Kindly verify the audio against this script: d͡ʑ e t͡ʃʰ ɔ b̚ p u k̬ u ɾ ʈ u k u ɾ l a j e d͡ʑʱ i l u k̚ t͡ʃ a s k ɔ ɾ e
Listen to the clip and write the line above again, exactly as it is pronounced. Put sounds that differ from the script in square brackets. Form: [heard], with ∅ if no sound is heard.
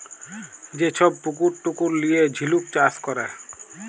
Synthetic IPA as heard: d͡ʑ e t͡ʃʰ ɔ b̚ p u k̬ u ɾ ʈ u k u ɾ l [i] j e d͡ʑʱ i l u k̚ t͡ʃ a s k ɔ ɾ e